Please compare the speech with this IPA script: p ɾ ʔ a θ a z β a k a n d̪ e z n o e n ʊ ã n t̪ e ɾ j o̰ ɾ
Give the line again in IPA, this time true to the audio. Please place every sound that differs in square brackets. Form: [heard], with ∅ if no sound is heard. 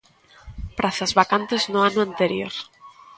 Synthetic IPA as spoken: p ɾ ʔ a θ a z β a k a n [t̪] e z n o [a] n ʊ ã n t̪ e ɾ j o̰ ɾ